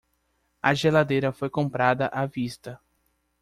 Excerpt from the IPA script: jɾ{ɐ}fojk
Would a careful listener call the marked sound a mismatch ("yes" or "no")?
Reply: no